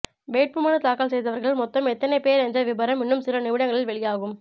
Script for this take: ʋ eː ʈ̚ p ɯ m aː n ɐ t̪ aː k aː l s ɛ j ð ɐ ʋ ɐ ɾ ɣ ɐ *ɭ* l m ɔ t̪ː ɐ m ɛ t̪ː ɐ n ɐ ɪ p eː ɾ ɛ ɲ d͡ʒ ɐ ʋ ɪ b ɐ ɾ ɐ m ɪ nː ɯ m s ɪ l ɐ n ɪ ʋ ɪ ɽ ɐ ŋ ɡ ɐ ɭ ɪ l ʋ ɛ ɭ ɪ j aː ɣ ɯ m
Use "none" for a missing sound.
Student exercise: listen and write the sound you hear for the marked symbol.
ɭ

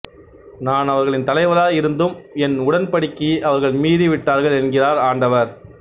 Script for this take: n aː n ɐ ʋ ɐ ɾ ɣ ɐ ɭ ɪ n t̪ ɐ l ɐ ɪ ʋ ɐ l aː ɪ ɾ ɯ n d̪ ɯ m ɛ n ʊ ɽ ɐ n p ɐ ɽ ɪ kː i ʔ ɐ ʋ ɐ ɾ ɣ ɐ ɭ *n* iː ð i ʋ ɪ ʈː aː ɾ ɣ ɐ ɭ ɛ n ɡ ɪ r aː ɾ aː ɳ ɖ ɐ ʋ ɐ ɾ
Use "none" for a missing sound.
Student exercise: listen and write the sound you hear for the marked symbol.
m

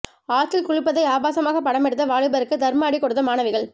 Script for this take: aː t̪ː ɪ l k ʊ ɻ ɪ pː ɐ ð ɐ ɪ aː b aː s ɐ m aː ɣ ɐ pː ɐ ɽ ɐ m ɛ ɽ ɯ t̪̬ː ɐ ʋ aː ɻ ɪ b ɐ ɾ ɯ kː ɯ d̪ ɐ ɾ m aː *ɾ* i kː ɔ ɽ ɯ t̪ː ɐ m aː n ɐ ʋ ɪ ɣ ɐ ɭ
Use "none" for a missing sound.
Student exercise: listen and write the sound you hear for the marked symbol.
ɽ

